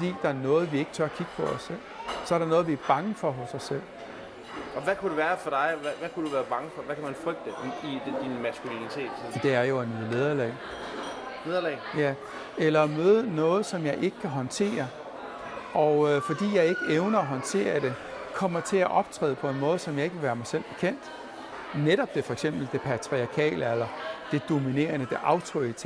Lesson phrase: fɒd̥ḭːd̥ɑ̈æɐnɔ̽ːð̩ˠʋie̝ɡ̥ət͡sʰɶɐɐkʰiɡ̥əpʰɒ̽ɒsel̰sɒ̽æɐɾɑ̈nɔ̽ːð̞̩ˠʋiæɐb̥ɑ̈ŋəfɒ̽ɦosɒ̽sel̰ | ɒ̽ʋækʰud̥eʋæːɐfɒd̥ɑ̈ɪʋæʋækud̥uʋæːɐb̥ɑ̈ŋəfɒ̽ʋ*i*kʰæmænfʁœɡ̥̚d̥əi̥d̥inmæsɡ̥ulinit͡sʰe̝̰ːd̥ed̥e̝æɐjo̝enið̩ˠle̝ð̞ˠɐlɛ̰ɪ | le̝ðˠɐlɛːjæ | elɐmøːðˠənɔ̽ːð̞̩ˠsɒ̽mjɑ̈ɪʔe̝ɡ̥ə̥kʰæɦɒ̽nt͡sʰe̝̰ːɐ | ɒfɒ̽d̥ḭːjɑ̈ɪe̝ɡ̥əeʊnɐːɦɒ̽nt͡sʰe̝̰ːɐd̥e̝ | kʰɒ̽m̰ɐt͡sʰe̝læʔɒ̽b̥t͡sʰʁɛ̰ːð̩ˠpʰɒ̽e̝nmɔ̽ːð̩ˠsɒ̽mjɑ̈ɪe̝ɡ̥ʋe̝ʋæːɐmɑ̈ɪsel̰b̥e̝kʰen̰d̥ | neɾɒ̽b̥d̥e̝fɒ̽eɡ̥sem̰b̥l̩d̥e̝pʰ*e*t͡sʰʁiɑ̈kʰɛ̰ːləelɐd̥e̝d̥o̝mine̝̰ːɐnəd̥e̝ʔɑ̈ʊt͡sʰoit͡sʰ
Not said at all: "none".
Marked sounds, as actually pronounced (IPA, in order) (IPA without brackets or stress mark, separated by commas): æ, æ